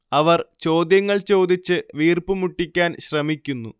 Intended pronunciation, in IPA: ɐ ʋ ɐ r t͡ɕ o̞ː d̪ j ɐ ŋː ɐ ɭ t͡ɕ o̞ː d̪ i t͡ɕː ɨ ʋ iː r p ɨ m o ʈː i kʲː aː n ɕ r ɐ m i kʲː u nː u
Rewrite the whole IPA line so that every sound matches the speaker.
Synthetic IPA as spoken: ɐ ʋ ɐ r t͡ɕ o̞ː d̪ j ɐ ŋː ɐ ɭ t͡ɕ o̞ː d̪ i t͡ɕː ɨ ʋ iː r p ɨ m u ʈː i kʲː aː n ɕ r ɐ m i kʲː u nː u